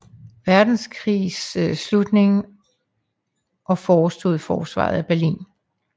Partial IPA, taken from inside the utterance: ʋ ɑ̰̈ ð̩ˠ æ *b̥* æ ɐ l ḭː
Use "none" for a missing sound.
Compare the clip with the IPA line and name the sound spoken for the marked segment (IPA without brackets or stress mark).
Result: b̥